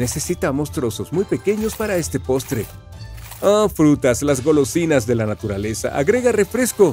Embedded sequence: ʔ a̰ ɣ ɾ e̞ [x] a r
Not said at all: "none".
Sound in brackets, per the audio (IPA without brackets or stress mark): ɣ